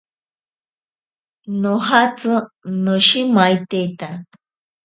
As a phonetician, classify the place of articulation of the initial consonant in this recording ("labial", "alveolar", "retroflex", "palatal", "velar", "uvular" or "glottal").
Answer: alveolar